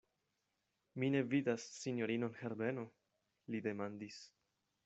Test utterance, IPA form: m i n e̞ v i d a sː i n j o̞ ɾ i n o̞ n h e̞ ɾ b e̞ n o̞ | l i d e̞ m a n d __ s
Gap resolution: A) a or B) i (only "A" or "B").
B